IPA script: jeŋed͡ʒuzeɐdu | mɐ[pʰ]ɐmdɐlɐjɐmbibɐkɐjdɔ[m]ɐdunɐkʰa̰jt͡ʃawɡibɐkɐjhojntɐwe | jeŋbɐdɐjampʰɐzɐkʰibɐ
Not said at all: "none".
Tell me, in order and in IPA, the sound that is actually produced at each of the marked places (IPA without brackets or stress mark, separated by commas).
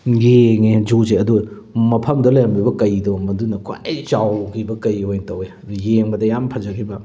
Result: pʰ, m